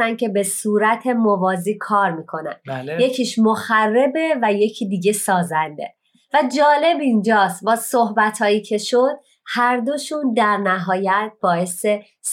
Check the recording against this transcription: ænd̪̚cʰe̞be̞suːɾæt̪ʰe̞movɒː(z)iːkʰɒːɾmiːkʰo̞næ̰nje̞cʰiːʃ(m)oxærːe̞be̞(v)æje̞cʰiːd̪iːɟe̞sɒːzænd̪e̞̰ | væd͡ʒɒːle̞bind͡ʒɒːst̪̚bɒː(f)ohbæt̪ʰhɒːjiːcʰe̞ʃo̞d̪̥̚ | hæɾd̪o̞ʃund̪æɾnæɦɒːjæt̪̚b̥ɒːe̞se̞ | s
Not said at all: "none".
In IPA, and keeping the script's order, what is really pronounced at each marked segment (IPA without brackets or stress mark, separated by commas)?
z, m, v, s